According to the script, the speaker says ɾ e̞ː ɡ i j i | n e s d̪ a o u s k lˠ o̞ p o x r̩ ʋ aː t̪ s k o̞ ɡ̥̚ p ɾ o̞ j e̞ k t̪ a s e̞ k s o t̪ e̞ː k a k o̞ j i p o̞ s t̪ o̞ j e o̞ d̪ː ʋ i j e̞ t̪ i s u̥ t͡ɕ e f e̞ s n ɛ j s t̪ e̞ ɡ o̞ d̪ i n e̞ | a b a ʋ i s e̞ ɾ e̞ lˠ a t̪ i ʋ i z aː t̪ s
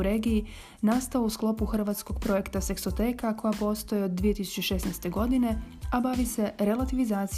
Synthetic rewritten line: ɾ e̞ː ɡ i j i | n a s t̪ a o u s k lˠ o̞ p u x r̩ ʋ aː t̪ s k o̞ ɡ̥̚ p ɾ o̞ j e̞ k t̪ a s e̞ k s o t̪ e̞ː k a k o̞ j a p o̞ s t̪ o̞ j e o̞ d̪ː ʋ i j e̞ t̪ i s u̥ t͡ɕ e ʃ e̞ s n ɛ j s t̪ e̞ ɡ o̞ d̪ i n e̞ | a b a ʋ i s e̞ ɾ e̞ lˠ a t̪ i ʋ i z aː t̪ s